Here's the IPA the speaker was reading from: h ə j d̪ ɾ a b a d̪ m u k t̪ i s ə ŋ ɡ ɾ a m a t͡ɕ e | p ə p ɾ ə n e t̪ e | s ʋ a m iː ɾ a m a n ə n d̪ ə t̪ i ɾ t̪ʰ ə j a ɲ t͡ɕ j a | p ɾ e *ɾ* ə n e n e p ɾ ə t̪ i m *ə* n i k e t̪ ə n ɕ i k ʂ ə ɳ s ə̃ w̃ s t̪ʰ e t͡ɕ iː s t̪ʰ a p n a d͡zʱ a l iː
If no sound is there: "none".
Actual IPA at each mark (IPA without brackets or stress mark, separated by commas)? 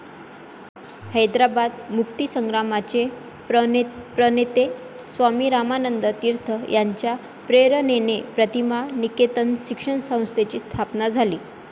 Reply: ɾ, a